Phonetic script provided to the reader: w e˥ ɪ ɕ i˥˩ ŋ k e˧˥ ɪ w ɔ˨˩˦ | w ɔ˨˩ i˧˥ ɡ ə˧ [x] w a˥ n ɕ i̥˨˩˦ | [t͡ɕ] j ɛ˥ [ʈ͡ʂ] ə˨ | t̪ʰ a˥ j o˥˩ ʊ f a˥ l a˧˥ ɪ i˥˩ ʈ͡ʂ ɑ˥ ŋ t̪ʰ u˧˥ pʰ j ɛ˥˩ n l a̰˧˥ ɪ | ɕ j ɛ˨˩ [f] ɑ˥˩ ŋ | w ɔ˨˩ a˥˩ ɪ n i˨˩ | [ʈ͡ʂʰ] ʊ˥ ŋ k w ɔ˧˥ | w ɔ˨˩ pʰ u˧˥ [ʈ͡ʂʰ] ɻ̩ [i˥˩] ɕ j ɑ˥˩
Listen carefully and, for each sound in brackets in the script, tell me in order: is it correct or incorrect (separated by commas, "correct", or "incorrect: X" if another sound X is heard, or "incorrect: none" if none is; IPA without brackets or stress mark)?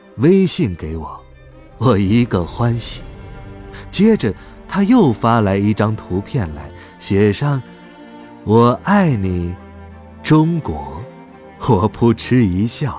correct, correct, correct, incorrect: ʂ, incorrect: ʈ͡ʂ, correct, incorrect: i˧˥